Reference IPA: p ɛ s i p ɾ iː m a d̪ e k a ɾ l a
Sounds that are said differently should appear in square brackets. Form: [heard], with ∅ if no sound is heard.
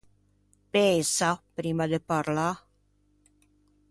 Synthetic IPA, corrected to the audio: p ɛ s [a] p ɾ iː m a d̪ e [p] a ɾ l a